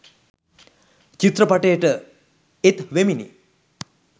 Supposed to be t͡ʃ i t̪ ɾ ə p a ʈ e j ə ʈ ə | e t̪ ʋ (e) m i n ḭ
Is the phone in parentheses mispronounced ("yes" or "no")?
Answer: no